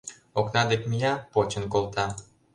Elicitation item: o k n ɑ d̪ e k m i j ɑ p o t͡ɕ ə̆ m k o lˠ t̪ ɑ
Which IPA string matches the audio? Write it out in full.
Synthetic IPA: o k n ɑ d̪ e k m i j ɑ p o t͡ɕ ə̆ n k o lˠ t̪ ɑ

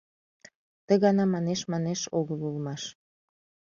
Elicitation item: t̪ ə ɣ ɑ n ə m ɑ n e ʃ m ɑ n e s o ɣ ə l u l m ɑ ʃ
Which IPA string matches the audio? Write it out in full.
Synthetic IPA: t̪ ə ɣ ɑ n ɑ m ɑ n e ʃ m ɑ n e ʃ o ɣ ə l u l m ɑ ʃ

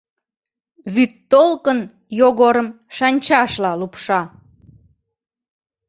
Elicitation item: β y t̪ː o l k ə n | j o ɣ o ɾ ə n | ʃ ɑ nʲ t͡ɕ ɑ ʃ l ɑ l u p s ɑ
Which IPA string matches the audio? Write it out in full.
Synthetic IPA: β y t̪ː o l k ə n | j o ɣ o ɾ ə m | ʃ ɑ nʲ t͡ɕ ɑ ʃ l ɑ l u p ʃ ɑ

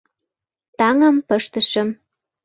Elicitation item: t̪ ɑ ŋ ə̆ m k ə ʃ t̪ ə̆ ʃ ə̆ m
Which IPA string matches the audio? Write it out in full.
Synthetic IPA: t̪ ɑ ŋ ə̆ m p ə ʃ t̪ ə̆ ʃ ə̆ m

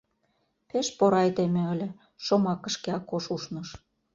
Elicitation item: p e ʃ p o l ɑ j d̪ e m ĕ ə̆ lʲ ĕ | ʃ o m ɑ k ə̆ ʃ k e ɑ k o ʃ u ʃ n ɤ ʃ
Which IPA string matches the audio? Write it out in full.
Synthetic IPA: p e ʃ p o ɾ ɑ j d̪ e m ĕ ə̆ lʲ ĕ | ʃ o m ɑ k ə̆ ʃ k e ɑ k o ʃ u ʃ n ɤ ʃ

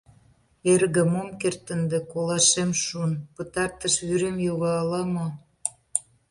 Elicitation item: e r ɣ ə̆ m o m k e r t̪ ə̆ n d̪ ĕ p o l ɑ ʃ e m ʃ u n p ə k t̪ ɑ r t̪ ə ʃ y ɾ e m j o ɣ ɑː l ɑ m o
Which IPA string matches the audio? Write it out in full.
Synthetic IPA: e r ɣ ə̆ m o m k e r t̪ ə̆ n d̪ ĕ k o l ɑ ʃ e m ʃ u n p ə t̪ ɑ r t̪ ə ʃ y ɾ e m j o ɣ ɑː l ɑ m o

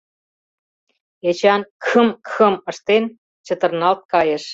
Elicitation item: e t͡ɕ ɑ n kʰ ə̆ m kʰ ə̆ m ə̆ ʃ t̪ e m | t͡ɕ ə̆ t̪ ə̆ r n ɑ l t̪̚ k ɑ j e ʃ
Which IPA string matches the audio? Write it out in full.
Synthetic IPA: e t͡ɕ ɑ n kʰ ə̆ m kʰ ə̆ m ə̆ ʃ t̪ e n | t͡ɕ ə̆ t̪ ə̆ r n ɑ l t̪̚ k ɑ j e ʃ

